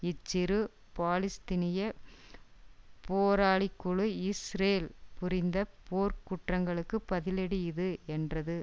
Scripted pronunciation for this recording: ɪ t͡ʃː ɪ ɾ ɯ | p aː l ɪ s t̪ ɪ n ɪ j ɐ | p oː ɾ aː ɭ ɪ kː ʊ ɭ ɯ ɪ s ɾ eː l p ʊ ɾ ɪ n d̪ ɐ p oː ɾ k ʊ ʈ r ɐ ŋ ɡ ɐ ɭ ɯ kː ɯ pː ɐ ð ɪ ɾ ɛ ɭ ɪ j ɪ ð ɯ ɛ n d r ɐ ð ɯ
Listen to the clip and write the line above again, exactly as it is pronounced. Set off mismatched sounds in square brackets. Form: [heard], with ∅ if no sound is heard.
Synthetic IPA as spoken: ɪ t͡ʃː ɪ ɾ ɯ | p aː l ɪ s t̪ ɪ n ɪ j ɐ | p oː ɾ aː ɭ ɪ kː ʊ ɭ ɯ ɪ s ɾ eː l p ʊ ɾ ɪ n d̪ ɐ p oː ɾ k ʊ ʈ r ɐ ŋ ɡ ɐ ɭ ɯ kː ɯ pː ɐ ð ɪ [l] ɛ [ɽ] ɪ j ɪ ð ɯ ɛ n d r ɐ ð ɯ